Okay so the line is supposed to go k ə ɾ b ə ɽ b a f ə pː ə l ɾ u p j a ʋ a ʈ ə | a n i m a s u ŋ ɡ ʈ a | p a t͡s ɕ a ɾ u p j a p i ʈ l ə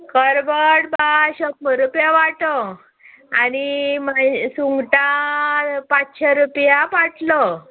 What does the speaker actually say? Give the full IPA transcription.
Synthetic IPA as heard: k ə ɾ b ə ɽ b a ɕ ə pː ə ɾ u p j a ʋ a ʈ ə | a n i m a s u ŋ ɡ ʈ a | p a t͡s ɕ a ɾ u p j a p a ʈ l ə